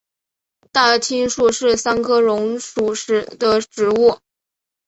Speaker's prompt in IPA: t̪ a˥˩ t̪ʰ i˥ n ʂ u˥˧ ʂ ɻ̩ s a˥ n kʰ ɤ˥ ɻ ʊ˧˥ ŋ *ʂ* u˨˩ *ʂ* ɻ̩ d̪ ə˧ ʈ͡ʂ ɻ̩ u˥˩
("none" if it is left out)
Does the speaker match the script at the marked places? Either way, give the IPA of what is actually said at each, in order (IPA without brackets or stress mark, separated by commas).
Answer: ʂ, ʂ